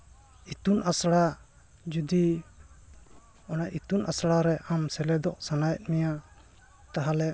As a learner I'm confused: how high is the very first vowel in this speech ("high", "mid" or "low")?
high